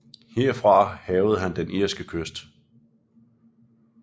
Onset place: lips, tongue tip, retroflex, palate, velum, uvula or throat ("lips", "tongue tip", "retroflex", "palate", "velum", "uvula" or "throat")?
throat